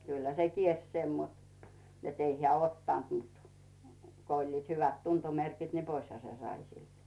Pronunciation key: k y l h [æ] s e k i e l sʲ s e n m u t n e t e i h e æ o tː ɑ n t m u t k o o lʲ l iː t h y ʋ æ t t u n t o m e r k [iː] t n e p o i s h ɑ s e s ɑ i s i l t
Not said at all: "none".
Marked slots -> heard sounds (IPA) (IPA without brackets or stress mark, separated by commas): æ, i